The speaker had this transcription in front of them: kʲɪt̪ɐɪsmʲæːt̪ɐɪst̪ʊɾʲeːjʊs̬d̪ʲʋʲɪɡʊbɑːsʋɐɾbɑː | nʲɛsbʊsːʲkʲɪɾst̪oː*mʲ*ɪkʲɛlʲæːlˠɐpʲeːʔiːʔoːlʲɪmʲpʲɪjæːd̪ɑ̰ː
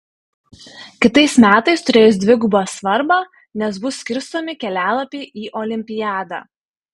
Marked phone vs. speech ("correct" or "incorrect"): correct